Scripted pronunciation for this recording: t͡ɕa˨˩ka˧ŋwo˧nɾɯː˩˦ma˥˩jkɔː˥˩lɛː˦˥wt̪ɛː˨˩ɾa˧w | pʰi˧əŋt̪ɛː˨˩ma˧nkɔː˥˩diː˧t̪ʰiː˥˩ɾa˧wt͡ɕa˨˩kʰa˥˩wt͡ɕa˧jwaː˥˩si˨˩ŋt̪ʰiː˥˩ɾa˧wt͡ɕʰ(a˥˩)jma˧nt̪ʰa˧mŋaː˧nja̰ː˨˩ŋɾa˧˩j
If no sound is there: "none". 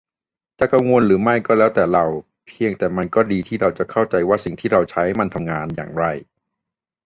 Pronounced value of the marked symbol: a˦˥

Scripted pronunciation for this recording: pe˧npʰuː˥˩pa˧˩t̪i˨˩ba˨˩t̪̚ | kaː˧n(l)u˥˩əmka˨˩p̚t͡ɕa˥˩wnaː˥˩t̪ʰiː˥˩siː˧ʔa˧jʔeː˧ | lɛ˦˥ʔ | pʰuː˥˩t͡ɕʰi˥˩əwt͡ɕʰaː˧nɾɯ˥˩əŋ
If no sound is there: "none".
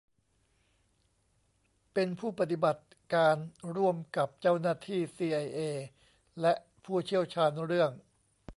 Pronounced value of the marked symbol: ɾ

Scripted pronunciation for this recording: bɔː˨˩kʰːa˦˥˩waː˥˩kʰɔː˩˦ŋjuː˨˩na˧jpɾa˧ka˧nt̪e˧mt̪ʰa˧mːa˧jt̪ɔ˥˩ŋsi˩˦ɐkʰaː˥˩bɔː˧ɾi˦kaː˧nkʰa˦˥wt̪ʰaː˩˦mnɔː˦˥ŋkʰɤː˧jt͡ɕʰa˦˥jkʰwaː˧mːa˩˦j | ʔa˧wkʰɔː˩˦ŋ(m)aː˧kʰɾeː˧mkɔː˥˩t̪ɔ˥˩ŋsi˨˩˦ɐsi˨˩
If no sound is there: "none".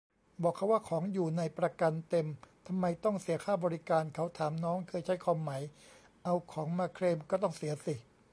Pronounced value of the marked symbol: m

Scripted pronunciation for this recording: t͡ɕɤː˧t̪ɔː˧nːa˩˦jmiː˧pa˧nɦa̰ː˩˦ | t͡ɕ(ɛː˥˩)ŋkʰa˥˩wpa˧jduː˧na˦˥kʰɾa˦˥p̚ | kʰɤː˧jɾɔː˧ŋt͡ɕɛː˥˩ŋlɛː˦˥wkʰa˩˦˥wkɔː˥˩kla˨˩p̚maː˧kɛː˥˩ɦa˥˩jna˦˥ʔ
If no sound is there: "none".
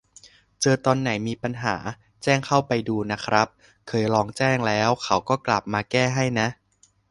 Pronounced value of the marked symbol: ɛː˥˩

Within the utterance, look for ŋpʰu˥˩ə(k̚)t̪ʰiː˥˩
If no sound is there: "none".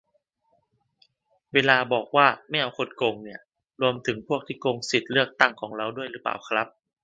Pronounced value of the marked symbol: k̚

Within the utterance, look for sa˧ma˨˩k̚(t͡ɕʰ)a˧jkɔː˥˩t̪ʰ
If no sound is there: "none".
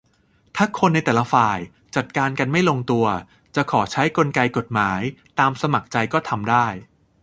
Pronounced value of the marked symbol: t͡ɕ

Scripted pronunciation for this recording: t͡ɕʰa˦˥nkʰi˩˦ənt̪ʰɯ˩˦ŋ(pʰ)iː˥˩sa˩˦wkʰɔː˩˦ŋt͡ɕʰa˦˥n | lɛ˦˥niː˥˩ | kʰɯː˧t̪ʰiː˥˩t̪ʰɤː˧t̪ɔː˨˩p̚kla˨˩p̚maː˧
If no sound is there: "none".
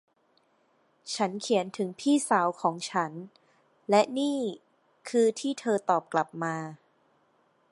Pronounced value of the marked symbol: pʰ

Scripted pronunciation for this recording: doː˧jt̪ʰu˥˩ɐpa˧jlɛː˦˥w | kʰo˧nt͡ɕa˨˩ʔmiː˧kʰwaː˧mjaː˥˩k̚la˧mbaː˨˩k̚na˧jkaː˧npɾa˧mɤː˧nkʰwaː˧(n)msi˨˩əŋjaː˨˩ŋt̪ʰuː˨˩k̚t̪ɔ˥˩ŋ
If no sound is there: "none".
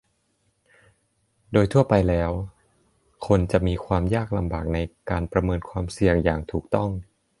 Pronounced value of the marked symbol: none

